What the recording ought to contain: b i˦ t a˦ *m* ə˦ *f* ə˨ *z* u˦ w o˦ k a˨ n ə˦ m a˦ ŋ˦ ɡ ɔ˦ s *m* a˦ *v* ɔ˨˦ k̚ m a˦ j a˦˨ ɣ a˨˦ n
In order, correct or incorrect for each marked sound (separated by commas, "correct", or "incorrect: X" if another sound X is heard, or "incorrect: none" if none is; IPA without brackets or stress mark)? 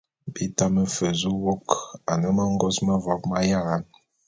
correct, correct, correct, correct, correct